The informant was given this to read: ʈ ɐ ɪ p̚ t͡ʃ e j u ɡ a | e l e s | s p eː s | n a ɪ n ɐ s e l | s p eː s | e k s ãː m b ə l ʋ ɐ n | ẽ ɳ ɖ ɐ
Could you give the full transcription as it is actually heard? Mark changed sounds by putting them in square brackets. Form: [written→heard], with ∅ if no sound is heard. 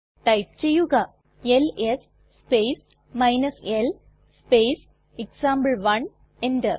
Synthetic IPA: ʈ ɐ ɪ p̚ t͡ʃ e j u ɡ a | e l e s | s p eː s | [n→m] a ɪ n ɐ s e l | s p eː s | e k s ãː m b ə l ʋ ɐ n | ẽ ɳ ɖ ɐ